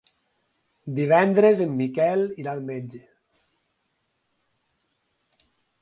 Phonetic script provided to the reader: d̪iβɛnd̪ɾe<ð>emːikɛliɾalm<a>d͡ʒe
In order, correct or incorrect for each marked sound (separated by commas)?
incorrect, incorrect